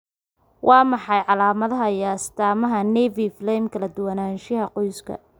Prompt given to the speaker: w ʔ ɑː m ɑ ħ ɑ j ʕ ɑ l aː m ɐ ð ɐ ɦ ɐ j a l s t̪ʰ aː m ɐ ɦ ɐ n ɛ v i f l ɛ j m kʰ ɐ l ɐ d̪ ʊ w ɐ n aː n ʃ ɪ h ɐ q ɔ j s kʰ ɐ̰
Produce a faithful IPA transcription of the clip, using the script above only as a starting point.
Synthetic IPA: w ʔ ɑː m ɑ ħ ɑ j ʕ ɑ l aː m ɐ ð ɐ ɦ ɐ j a s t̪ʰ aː m ɐ ɦ ɐ n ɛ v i f l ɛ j m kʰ ɐ l ɐ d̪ ʊ w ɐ n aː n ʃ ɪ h ɐ q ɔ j s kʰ ɐ̰